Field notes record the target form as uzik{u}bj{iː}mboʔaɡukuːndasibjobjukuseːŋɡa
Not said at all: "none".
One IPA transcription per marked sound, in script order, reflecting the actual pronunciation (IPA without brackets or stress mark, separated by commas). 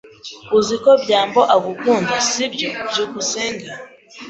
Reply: o, aː